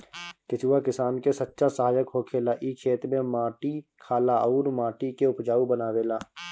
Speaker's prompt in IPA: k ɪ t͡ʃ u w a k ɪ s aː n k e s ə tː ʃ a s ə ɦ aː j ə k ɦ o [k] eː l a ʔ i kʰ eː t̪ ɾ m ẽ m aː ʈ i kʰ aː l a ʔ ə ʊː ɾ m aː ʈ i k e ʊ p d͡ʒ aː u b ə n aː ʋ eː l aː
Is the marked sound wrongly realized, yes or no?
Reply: yes